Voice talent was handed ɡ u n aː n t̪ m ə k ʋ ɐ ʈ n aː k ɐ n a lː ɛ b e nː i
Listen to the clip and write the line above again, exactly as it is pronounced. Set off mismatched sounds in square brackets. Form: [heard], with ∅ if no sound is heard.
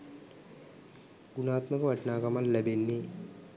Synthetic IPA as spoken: ɡ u n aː [∅] t̪ m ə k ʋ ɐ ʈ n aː k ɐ [m] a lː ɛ b e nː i